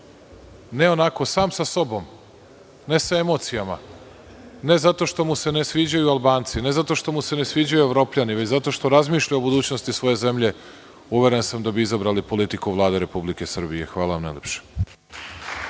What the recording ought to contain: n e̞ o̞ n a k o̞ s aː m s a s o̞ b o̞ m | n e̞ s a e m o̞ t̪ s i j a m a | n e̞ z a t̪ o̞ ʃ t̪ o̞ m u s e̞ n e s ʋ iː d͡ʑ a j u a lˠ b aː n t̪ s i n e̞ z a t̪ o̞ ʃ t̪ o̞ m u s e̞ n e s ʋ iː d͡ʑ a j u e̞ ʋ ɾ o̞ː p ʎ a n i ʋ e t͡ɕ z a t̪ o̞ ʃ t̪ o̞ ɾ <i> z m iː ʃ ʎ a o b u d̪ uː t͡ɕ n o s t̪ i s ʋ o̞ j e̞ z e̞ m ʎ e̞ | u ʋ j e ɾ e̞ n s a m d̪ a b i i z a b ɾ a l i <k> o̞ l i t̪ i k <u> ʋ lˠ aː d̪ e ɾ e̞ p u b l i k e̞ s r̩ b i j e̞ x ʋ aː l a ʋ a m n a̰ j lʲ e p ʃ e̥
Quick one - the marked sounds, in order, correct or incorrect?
incorrect: a, incorrect: p, correct

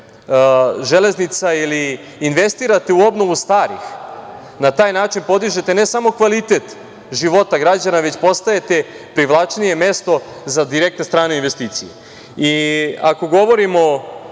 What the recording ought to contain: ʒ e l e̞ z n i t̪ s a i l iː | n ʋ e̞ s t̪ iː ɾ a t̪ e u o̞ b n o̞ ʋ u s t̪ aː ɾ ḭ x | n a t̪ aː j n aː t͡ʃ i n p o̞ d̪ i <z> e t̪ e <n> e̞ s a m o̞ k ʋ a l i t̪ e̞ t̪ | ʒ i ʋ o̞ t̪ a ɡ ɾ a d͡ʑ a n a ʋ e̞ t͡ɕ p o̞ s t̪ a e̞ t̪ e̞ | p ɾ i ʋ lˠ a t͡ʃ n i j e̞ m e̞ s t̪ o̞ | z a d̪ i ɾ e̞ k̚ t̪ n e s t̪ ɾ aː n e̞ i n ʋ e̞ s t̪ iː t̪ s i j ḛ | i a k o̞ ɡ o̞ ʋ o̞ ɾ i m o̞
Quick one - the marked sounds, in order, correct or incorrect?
incorrect: ʒ, correct

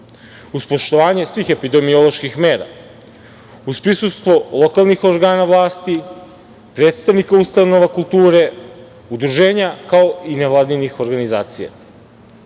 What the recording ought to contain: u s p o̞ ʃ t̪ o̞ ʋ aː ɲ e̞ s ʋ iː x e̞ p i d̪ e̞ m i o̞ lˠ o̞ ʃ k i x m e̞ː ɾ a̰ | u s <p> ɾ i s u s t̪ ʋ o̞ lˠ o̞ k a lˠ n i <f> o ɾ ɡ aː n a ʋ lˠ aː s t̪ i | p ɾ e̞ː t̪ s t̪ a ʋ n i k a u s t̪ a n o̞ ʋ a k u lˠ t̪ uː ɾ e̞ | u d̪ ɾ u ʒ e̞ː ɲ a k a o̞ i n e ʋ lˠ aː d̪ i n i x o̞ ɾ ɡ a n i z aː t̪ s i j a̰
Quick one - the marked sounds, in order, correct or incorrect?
correct, incorrect: x

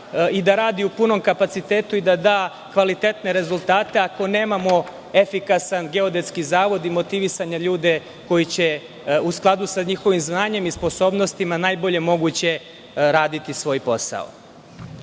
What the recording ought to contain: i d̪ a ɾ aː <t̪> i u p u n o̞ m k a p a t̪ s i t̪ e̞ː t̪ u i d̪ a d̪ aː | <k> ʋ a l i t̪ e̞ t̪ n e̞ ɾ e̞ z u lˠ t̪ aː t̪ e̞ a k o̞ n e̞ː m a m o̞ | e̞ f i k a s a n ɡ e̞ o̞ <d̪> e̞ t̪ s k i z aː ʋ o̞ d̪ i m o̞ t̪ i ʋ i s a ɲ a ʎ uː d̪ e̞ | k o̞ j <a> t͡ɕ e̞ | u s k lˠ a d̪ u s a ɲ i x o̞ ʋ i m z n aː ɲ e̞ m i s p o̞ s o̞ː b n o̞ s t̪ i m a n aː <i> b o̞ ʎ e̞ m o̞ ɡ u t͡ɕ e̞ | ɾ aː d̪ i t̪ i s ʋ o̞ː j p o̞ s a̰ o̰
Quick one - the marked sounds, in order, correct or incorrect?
incorrect: d̪, correct, correct, incorrect: i, incorrect: j

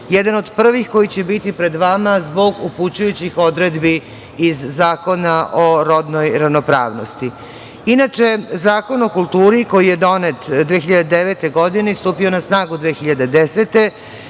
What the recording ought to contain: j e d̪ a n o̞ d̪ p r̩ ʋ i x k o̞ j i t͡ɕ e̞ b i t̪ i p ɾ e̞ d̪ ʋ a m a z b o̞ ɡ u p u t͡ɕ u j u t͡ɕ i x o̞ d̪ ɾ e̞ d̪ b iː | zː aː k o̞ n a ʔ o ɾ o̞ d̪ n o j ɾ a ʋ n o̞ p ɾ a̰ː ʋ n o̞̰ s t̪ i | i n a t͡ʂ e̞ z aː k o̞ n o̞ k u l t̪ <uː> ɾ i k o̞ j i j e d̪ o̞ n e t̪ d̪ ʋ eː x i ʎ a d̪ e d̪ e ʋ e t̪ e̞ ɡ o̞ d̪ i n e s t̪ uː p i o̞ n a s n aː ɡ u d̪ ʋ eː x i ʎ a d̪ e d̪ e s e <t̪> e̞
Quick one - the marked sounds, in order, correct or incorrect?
correct, correct

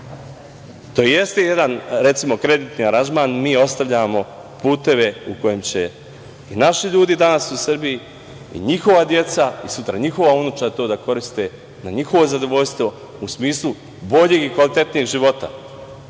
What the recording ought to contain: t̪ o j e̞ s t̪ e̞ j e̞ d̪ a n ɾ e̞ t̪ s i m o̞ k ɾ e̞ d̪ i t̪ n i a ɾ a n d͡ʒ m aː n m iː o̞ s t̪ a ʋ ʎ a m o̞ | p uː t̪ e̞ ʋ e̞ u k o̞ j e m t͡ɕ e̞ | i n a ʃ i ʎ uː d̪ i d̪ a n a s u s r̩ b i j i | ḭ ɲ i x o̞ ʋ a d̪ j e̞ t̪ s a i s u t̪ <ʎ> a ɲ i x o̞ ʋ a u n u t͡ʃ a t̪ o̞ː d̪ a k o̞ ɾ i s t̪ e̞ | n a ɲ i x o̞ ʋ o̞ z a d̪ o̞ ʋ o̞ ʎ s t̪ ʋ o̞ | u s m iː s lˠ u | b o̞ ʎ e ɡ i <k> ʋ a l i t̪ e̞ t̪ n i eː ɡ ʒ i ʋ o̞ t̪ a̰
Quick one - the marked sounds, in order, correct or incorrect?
incorrect: ɾ, correct

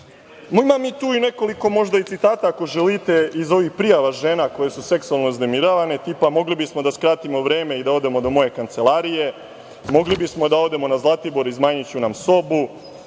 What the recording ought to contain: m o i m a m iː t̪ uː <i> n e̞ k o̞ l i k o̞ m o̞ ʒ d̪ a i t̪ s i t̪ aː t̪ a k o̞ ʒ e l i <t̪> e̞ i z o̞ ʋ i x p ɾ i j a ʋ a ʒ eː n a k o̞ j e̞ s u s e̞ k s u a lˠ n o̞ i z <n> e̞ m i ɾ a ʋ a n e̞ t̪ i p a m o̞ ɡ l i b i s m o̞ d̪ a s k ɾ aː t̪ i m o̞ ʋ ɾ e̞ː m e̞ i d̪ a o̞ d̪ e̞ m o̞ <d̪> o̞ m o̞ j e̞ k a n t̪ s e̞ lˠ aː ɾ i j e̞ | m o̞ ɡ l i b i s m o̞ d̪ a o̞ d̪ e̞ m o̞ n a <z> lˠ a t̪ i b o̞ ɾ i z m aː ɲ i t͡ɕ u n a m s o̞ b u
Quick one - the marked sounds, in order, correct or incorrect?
correct, correct, correct, correct, correct

